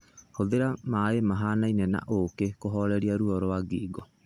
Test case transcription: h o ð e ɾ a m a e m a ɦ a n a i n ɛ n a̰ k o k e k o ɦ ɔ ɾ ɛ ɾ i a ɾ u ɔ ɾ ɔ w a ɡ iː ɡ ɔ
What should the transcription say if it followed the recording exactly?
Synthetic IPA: h o ð e ɾ a m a e m a ɦ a n a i n ɛ n a̰ ʔ o k e k o ɦ ɔ ɾ ɛ ɾ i a ɾ u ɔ ɾ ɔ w a ɡ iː ɡ ɔ